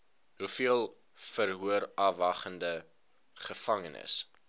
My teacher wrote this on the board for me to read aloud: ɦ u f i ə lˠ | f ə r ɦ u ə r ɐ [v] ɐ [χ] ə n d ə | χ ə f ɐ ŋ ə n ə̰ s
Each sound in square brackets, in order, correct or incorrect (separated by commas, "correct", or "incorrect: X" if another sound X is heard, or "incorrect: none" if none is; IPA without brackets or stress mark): correct, correct